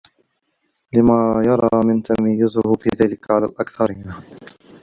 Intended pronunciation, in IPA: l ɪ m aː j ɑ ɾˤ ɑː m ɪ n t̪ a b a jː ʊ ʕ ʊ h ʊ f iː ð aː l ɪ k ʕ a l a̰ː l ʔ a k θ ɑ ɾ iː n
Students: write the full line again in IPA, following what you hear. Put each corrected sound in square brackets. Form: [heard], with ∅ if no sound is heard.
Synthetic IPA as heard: l ɪ m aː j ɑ ɾˤ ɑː m ɪ n t̪ a [m] a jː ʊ [z] ʊ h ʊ f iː ð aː l ɪ k ʕ a l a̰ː l ʔ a k θ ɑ ɾ iː n